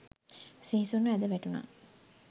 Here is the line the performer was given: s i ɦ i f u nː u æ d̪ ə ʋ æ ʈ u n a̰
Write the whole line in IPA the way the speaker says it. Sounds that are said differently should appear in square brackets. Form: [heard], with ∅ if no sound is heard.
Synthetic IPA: s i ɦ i [s] u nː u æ d̪ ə ʋ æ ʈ u n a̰